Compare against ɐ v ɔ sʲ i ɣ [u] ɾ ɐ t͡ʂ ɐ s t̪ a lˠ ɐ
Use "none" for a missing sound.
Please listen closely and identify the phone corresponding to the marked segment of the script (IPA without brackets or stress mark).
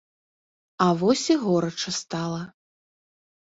ɔ